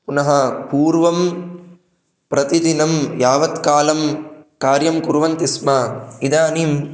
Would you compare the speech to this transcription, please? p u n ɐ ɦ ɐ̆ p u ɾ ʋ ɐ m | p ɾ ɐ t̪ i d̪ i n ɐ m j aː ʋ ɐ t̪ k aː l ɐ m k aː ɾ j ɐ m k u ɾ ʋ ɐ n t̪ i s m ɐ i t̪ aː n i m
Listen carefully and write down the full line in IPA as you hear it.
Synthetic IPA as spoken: p u n ɐ ɦ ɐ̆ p uː ɾ ʋ ɐ m | p ɾ ɐ t̪ i d̪ i n ɐ m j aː ʋ ɐ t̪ k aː l ɐ m k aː ɾ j ɐ m k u ɾ ʋ ɐ n t̪ i s m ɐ i d̪ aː n i m